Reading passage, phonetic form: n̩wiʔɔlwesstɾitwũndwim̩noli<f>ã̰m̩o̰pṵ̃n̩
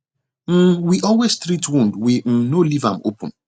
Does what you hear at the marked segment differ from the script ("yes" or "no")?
yes